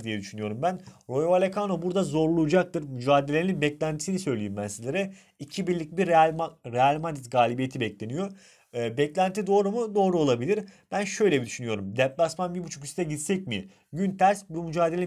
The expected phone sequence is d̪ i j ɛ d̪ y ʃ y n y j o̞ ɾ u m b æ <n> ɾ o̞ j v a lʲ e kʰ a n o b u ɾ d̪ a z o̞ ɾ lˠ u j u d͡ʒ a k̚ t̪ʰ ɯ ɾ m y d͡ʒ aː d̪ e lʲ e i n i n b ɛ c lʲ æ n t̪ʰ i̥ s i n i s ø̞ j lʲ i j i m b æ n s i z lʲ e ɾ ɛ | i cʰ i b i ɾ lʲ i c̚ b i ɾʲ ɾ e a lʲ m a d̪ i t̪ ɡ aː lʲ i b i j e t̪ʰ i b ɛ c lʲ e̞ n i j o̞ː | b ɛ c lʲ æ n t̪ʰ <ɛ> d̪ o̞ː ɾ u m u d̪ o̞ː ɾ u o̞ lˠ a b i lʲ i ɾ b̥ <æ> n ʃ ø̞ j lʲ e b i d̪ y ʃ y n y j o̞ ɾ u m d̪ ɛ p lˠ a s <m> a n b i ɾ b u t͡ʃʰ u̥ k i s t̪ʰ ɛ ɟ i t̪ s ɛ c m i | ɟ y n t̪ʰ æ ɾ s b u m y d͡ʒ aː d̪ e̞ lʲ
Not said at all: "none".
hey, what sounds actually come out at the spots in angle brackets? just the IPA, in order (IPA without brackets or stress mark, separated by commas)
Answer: n, i, æ, m